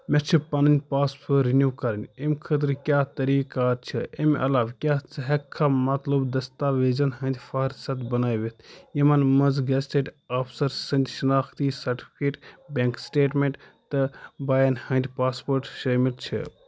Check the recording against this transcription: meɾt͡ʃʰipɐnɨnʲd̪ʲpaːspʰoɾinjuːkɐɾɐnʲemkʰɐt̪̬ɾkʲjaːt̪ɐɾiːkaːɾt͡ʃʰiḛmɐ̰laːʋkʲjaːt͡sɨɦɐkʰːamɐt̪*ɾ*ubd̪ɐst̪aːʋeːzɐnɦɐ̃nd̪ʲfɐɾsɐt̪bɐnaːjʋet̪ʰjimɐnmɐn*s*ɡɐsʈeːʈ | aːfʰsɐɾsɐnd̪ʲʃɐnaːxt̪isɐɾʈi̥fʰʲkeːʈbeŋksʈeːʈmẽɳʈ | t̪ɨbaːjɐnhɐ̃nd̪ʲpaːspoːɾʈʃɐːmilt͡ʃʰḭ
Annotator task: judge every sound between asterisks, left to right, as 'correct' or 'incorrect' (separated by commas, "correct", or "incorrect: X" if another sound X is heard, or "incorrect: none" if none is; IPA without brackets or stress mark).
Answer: incorrect: l, incorrect: z